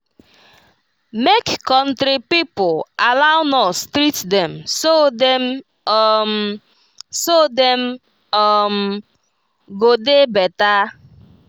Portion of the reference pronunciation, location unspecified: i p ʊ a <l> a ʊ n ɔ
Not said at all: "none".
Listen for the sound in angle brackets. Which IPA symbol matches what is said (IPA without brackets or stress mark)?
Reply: l